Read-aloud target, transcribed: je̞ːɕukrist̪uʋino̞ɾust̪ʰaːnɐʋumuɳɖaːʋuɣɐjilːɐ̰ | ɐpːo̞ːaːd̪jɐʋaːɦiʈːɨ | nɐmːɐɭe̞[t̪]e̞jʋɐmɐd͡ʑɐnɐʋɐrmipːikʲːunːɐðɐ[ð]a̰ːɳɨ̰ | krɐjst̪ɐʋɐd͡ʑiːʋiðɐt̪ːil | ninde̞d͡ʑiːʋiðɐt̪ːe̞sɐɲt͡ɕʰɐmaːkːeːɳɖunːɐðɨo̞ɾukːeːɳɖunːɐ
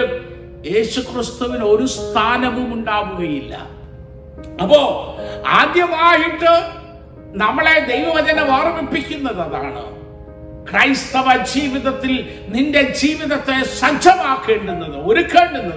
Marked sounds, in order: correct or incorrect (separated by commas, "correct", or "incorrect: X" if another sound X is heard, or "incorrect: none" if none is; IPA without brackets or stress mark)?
incorrect: d̪, correct